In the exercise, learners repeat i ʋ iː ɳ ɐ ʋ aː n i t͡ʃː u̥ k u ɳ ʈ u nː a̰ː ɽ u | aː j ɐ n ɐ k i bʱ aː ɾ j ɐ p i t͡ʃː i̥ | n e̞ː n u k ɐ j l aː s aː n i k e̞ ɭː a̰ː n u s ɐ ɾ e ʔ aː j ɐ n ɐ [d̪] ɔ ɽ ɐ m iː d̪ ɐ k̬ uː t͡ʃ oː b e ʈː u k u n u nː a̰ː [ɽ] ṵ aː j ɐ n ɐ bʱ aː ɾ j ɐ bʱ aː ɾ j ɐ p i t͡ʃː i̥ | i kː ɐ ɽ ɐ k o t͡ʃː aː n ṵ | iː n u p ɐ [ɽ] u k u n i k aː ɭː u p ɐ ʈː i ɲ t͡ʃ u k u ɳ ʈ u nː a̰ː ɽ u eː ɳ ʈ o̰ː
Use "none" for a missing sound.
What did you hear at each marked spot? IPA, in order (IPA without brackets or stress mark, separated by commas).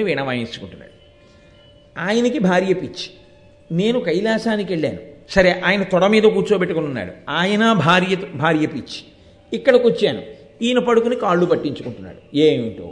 t̪, ɽ, ɽ